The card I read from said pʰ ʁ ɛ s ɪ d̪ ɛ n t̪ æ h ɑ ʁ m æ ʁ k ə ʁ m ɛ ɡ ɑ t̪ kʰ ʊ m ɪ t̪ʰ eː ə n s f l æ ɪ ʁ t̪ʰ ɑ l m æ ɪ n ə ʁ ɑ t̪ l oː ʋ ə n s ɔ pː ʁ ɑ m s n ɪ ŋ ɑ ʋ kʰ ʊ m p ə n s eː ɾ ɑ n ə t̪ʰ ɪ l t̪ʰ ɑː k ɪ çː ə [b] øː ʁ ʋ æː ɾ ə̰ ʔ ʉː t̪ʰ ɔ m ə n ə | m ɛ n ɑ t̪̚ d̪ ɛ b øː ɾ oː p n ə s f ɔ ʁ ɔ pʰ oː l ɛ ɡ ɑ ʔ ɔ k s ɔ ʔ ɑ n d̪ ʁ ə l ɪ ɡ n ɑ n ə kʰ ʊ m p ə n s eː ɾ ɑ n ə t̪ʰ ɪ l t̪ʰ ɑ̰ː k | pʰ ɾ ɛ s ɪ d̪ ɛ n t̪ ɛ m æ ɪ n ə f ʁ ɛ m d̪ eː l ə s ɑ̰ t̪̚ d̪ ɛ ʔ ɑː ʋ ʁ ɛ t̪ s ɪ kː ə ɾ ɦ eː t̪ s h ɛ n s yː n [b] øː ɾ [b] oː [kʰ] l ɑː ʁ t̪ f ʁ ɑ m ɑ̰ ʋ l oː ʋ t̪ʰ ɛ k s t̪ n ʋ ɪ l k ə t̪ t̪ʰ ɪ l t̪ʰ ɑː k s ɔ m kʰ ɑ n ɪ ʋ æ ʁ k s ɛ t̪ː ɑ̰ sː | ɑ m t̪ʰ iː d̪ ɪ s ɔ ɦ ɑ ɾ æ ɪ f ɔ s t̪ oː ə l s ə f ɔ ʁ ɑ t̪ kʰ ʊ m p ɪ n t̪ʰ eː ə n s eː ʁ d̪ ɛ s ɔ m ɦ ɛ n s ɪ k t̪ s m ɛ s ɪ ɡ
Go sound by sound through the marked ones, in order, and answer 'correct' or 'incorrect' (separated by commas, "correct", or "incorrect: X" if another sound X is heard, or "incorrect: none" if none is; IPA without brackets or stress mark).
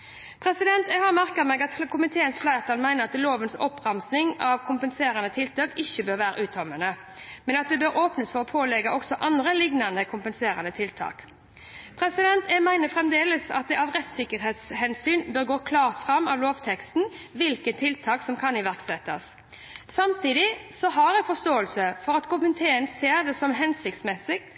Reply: correct, correct, incorrect: ɡ, correct